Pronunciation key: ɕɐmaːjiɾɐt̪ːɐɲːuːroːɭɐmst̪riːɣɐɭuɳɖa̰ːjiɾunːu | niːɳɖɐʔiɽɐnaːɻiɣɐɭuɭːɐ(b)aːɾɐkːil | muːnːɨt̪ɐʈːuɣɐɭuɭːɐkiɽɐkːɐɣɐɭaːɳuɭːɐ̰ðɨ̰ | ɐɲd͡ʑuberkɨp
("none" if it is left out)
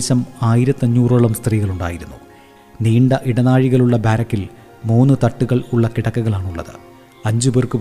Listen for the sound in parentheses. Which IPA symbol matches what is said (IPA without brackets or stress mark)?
b